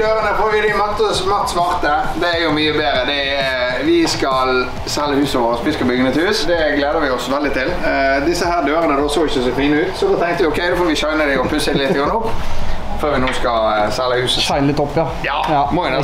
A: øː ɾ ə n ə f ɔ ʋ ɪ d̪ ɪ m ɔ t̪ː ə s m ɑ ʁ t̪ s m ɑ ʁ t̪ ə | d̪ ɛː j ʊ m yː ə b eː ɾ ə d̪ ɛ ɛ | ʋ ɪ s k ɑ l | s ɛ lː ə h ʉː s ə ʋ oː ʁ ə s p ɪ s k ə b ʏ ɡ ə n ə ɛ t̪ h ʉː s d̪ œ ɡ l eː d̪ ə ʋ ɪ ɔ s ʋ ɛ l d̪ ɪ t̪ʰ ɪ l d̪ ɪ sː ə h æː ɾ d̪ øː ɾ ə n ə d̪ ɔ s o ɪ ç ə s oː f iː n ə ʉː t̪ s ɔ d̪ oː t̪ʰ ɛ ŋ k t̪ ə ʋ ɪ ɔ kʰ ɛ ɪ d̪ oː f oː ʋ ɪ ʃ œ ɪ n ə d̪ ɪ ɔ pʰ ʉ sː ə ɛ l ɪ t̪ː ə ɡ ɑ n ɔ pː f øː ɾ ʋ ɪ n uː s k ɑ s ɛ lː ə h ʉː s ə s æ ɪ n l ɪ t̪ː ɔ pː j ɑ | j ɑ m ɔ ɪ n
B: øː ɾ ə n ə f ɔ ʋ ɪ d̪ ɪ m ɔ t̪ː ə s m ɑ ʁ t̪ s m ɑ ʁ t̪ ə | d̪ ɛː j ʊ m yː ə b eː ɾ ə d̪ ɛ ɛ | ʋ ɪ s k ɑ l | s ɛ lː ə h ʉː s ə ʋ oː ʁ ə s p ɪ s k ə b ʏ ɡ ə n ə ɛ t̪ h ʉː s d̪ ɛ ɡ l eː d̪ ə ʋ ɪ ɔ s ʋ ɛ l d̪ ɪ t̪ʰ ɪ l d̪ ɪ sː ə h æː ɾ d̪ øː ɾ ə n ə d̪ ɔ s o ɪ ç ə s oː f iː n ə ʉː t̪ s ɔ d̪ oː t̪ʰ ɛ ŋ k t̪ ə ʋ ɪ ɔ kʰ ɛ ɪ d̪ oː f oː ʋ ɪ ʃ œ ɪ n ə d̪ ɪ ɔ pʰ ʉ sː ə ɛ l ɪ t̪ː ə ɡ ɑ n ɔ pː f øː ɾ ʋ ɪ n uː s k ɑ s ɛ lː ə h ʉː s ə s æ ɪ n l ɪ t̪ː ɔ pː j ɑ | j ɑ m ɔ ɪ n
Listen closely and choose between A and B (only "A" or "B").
B